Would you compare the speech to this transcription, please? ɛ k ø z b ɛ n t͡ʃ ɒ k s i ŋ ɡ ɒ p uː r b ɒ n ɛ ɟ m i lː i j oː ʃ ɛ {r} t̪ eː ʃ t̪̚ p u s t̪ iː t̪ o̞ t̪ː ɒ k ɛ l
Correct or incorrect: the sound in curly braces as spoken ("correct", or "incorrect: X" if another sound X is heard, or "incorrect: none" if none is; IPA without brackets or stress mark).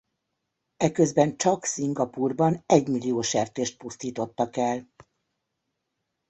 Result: correct